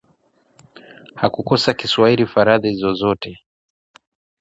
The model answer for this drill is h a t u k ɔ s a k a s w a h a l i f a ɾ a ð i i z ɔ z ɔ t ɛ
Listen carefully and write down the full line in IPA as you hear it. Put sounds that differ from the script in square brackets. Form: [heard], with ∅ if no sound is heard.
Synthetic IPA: h a [k] u k ɔ s a k [i] s w a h [i] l i f a ɾ a ð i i z ɔ z ɔ t ɛ